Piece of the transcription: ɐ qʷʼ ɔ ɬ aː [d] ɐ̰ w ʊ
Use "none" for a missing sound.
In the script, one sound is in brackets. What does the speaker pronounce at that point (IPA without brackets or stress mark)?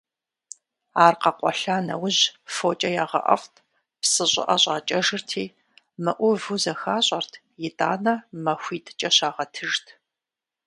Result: n